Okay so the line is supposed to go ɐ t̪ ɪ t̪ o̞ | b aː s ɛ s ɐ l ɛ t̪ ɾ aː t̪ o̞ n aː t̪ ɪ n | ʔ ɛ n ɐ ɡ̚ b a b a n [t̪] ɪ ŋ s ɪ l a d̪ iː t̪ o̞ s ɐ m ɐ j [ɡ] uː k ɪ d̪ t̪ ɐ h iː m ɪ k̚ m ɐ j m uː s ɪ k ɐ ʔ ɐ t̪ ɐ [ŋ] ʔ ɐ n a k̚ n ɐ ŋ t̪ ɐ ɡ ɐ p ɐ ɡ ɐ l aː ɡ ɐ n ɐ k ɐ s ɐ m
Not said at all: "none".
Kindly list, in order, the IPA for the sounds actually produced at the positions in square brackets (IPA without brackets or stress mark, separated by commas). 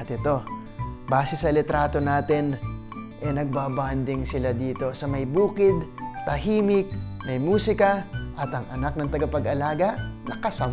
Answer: d̪, b, ŋ